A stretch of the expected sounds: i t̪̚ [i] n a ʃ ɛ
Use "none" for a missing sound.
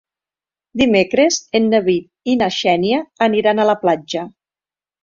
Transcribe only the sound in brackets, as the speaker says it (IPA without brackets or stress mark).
i